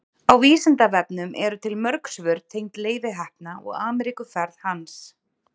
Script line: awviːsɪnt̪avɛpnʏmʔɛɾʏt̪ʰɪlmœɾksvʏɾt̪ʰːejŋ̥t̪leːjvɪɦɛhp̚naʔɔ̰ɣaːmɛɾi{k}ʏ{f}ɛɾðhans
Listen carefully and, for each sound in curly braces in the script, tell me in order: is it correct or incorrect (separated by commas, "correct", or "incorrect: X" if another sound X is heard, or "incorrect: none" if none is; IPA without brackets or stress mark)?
correct, correct